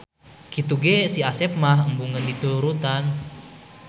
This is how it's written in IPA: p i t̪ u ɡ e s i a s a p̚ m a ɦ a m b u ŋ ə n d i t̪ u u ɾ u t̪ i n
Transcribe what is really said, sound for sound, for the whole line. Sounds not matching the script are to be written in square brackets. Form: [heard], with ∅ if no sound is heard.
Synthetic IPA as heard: [k] i t̪ u ɡ e s i a s [ɛ] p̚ m a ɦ [ə] m b u ŋ ə n d i t̪ u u ɾ u t̪ [a] n